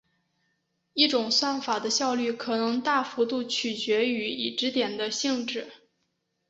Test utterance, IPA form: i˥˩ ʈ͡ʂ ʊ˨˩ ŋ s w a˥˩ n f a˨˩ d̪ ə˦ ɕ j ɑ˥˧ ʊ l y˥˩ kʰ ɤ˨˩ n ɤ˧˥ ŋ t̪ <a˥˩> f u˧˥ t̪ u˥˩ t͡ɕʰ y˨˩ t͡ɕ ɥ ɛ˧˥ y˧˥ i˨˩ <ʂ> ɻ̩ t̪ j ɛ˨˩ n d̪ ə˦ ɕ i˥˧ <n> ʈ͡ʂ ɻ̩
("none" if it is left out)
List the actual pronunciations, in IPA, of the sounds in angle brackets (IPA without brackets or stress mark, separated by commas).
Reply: a˥˩, ʈ͡ʂ, ŋ